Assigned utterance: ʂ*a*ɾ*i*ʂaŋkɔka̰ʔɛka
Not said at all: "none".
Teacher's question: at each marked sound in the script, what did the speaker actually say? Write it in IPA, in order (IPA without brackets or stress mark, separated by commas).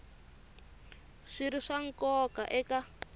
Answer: i, i